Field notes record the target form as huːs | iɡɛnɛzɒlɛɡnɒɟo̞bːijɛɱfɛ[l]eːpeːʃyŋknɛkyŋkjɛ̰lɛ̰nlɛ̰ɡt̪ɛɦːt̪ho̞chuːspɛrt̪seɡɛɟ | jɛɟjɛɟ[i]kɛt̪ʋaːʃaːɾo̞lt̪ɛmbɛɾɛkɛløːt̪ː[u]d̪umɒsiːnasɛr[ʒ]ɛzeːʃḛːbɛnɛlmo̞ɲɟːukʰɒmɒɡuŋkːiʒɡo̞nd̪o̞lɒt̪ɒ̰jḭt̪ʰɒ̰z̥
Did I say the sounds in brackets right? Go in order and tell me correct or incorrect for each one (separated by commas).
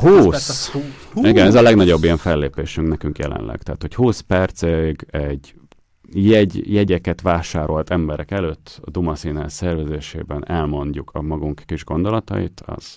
incorrect, incorrect, incorrect, incorrect